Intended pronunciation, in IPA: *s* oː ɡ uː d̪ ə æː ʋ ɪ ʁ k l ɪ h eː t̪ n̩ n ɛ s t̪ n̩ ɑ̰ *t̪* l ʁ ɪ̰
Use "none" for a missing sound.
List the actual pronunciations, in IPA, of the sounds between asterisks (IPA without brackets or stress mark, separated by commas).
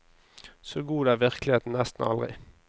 s, none